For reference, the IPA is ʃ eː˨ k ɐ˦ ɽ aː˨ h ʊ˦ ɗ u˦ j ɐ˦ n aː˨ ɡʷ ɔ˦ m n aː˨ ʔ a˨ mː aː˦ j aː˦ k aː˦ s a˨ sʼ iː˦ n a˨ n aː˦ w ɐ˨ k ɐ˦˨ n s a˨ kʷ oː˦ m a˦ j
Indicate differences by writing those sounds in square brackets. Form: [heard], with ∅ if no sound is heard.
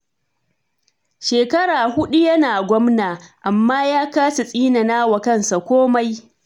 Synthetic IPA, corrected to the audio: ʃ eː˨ k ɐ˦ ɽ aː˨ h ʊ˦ ɗ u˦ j ɐ˦ n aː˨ ɡʷ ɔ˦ m n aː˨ ʔ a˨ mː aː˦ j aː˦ k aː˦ s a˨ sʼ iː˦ n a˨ n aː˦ w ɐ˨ k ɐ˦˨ n s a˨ kʷ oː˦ m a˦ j